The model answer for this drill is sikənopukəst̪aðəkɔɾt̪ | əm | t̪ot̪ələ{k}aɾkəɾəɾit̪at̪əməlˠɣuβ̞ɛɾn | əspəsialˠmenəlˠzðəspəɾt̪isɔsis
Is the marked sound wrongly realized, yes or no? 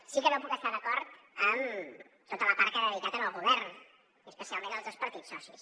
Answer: yes